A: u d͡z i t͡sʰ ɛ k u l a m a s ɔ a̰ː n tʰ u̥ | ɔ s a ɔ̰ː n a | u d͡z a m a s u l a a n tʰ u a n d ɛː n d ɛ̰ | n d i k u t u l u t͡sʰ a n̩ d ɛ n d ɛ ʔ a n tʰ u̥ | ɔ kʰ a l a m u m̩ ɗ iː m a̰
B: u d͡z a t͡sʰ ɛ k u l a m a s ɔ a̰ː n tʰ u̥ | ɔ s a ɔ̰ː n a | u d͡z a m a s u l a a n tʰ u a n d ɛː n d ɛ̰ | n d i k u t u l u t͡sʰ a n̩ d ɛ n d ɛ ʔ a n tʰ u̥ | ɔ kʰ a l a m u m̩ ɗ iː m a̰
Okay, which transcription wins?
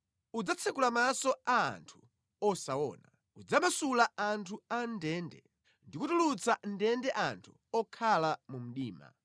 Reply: B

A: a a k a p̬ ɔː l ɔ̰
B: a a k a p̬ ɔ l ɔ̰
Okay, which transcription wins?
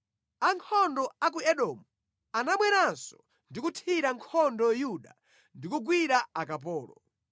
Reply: A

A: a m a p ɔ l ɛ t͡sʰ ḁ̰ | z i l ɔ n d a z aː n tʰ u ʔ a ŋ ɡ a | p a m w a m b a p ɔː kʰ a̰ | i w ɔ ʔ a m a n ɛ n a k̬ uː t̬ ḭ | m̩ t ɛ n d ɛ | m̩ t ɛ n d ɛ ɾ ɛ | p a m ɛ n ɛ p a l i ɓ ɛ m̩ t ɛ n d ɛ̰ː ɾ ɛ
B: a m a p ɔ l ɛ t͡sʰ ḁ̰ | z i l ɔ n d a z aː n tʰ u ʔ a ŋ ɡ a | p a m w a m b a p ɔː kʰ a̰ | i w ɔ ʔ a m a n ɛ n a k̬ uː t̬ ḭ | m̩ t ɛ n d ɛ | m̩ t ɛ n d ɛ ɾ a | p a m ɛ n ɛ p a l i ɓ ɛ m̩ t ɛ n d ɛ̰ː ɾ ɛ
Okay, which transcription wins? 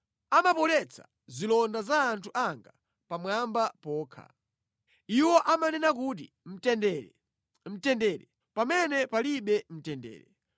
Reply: A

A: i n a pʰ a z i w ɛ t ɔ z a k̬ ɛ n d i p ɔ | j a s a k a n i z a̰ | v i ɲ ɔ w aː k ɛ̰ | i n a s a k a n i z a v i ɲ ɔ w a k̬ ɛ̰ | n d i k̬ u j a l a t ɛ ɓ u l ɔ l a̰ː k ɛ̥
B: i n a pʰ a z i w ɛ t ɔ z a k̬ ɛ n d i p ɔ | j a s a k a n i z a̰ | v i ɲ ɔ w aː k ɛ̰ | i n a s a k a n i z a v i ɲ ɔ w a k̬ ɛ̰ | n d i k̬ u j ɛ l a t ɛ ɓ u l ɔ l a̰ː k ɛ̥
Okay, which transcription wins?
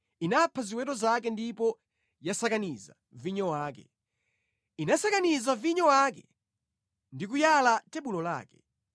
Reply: A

